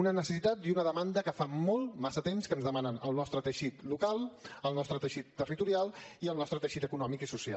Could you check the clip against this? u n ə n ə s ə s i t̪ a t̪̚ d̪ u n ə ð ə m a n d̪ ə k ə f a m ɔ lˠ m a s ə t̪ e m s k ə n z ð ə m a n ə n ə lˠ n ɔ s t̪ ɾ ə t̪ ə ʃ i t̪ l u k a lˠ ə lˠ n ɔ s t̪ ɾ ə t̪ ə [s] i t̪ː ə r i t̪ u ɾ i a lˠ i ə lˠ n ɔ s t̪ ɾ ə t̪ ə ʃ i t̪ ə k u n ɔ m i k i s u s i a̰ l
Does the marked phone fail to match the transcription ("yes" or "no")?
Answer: yes